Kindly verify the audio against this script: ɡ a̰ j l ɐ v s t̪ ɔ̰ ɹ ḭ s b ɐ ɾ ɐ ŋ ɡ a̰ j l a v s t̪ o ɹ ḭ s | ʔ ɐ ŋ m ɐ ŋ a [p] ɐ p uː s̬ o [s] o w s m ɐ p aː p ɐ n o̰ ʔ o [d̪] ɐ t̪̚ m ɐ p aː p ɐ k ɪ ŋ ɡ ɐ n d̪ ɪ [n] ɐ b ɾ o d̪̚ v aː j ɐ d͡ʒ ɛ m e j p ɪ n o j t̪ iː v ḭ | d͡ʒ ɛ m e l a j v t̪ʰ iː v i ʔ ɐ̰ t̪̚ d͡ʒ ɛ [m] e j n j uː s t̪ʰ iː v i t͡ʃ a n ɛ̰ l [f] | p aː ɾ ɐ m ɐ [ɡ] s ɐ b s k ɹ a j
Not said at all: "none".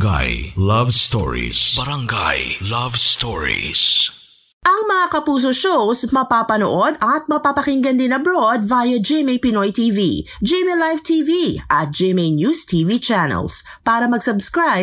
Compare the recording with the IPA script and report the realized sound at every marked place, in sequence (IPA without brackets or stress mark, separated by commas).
k, ʃ, d̪, n, m, s, ɡ